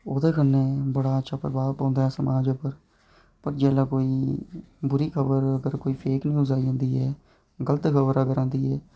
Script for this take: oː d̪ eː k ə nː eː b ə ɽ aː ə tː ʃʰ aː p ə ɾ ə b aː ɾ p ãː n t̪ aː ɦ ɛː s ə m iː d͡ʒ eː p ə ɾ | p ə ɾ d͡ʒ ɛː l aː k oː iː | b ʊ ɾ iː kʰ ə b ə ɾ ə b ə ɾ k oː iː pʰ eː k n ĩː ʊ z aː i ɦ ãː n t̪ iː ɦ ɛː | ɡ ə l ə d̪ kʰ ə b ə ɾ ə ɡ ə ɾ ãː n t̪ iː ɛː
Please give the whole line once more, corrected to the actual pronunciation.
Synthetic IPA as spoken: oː d̪ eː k ə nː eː b ə ɽ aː ə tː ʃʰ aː p ə ɾ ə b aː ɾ p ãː n d̪ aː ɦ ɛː s ə m aː d͡ʒ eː p ə ɾ | p ə ɾ d͡ʒ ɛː l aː k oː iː | b ʊ ɾ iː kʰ ə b ə ɾ ə ɡ ə ɾ k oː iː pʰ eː k n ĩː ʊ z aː i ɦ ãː n d̪ iː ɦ ɛː | ɡ ə l ə t̪ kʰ ə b ə ɾ ə ɡ ə ɾ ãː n d̪ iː ɛː